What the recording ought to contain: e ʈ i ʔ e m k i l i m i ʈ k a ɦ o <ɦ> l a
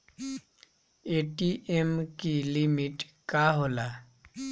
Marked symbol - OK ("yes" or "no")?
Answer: no